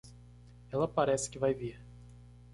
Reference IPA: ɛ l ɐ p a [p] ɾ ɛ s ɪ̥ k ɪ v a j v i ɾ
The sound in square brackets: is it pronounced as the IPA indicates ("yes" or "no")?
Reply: no